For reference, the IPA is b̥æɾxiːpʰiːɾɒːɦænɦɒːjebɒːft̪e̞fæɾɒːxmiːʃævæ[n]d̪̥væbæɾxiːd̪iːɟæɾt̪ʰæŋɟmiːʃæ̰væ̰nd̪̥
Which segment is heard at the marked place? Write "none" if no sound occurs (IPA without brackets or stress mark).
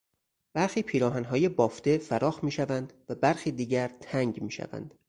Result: n